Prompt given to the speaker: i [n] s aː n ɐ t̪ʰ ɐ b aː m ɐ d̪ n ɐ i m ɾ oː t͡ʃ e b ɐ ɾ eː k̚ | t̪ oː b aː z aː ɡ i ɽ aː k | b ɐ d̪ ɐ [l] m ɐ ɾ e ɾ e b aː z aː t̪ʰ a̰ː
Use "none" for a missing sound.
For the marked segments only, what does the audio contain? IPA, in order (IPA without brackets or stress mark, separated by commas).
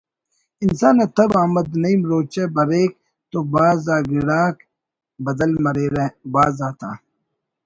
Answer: n, l